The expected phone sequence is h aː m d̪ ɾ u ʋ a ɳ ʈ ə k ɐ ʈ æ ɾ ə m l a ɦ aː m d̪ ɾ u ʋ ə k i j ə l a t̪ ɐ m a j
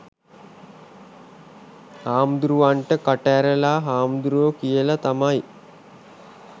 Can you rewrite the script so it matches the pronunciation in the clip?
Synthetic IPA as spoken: h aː m d̪ ɾ u ʋ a ɳ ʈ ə k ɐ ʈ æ ɾ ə l a ɦ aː m d̪ ɾ u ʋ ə k i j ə l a t̪ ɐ m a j